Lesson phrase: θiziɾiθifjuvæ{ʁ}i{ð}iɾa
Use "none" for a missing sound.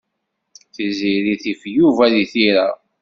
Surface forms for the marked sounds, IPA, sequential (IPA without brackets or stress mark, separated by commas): ð, θ